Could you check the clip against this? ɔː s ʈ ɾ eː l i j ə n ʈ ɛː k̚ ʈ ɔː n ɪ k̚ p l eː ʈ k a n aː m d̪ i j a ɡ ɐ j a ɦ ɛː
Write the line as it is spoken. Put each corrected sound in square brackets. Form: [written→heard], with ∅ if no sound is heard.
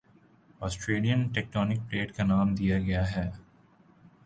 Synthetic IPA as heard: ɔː s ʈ ɾ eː l i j ə n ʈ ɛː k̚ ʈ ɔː n ɪ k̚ p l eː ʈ k a n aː m d̪ i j a ɡ ɐ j a ɦ ɛː